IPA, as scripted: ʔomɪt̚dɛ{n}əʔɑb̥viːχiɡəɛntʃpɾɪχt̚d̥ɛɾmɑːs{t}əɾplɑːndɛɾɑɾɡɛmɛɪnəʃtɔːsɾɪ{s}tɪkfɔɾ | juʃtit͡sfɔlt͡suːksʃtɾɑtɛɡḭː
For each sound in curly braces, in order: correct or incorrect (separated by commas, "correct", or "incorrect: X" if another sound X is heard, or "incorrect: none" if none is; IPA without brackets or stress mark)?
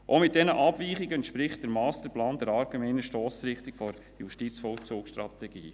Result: correct, correct, incorrect: χ